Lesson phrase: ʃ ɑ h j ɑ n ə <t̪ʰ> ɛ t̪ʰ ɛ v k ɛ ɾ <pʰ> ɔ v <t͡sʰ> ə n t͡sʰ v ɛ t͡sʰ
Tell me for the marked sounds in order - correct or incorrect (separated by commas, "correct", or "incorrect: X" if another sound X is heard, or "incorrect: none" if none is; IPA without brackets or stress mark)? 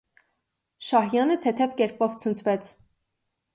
correct, incorrect: p, correct